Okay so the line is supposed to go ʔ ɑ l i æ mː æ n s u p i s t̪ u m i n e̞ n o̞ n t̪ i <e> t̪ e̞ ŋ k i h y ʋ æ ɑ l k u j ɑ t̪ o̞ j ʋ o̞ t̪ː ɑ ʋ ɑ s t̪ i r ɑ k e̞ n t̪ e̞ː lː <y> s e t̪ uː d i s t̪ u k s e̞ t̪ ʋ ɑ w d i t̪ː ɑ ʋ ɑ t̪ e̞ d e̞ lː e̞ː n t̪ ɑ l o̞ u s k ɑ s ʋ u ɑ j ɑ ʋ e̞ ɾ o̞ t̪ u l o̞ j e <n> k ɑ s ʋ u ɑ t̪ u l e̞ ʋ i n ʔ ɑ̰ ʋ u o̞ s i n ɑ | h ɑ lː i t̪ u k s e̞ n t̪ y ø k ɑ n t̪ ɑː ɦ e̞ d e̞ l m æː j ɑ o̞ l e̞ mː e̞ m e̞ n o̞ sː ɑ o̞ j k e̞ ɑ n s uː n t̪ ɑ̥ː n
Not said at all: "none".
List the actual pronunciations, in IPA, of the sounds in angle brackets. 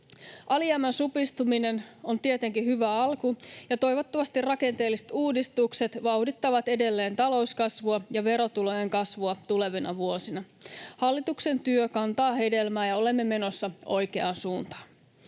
e, i, ŋ

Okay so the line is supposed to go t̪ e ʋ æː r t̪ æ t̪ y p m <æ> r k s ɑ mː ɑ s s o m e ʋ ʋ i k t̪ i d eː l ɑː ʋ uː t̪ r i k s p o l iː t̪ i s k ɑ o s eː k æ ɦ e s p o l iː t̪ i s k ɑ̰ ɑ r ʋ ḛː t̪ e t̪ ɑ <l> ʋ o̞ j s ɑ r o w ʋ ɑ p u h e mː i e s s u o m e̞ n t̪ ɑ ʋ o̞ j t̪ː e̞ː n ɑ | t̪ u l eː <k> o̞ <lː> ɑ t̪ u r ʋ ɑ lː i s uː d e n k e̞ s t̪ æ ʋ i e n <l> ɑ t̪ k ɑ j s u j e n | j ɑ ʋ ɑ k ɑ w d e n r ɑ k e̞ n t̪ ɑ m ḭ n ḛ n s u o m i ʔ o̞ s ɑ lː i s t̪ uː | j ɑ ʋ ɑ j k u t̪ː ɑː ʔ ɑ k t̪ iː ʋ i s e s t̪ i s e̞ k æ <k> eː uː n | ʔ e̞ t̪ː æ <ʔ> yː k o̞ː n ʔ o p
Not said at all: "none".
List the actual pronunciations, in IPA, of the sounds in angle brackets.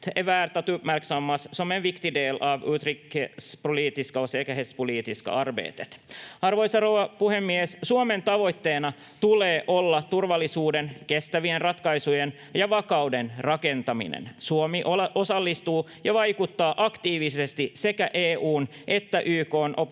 æ, r, ʔ, lː, r, ʔ, ʔ

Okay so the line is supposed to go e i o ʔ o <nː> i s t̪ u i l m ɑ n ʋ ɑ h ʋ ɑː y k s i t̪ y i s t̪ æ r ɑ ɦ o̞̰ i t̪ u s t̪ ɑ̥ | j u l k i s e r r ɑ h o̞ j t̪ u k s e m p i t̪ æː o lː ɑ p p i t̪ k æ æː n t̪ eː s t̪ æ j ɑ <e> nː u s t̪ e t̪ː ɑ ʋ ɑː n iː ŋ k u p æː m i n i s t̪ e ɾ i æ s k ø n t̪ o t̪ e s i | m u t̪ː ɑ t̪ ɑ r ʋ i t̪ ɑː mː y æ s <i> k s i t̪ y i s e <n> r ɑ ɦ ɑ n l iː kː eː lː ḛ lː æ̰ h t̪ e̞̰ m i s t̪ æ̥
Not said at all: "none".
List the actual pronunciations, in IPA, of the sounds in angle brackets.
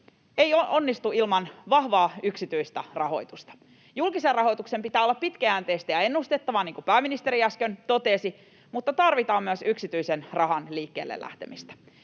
nː, e, y, n

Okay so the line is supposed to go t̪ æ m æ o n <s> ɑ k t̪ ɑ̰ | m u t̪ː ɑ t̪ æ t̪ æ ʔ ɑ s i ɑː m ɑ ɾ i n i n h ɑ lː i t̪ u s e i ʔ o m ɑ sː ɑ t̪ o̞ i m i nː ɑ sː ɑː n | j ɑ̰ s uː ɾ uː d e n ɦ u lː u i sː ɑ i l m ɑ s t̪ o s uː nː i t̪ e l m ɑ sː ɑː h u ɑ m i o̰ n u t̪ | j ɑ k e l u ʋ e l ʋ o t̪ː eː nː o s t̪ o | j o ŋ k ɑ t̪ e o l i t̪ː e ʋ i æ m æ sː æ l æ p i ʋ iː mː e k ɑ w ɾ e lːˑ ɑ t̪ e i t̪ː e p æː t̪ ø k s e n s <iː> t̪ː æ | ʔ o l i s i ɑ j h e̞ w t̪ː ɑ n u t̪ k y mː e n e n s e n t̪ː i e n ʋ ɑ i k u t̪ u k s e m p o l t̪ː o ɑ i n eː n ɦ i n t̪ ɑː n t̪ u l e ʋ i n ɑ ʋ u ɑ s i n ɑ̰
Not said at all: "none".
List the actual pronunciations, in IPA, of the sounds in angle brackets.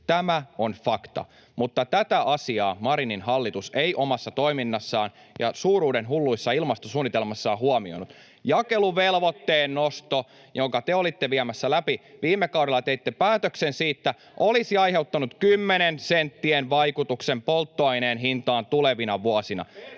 f, iː

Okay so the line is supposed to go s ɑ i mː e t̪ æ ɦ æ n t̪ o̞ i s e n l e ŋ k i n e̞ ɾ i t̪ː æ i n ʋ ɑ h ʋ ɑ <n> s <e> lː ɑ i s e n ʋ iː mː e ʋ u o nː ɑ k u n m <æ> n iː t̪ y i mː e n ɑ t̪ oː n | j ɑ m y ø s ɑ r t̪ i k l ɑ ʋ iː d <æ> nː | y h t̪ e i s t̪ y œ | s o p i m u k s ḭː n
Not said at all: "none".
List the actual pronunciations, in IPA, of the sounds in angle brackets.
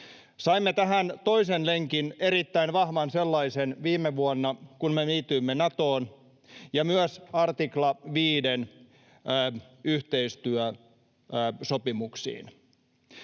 n, e, e, e

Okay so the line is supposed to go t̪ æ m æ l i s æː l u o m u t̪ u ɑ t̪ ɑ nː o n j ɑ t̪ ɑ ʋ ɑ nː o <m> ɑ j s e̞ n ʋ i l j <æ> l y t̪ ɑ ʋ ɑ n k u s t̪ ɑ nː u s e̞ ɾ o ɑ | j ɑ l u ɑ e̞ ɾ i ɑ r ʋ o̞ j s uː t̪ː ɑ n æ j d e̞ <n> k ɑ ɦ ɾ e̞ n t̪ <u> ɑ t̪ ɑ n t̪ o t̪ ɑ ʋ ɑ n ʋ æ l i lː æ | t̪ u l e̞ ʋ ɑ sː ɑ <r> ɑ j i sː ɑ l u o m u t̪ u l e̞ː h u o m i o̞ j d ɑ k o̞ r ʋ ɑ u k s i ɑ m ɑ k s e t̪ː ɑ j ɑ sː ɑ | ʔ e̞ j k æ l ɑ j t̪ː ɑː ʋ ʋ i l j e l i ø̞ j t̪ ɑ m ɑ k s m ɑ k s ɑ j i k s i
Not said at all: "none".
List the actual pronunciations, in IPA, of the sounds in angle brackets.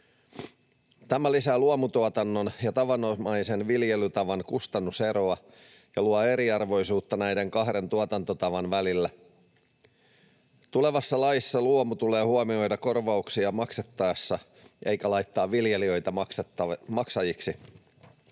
m, e, ŋ, u, l

